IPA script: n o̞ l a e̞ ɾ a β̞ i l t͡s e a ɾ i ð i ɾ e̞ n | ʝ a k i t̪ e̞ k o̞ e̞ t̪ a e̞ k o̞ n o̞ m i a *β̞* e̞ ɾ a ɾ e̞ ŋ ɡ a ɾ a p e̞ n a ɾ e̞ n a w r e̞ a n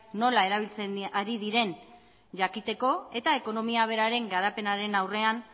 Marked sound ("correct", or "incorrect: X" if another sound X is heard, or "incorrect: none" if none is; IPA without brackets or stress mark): correct